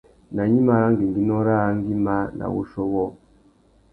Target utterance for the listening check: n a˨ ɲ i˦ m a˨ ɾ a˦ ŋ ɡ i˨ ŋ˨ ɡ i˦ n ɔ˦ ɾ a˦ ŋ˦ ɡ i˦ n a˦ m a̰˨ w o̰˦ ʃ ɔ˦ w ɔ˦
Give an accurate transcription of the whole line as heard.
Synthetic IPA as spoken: n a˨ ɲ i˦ m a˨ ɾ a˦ ŋ ɡ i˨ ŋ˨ ɡ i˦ n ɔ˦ ɾ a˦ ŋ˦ ɡ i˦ m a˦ n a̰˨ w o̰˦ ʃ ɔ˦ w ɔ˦